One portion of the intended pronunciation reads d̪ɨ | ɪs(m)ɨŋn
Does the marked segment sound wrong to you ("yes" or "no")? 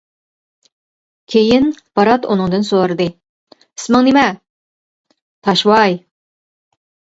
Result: no